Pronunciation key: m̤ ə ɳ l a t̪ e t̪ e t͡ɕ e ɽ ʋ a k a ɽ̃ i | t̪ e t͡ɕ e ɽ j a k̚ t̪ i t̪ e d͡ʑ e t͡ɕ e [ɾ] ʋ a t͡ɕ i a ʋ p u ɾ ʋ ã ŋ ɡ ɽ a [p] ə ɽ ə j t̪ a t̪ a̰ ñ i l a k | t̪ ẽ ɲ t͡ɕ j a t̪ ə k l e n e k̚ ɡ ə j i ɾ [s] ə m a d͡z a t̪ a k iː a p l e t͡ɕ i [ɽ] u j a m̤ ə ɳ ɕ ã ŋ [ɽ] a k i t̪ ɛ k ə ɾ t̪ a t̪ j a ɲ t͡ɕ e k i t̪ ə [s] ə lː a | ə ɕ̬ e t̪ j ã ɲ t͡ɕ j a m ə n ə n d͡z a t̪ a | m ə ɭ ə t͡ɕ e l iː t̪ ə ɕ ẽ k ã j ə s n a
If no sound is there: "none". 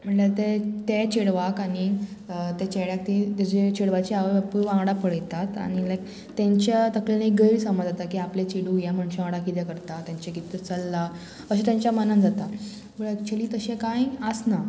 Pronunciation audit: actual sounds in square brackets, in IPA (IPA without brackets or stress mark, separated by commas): ɽ, p, s, ɽ, ɽ, t͡s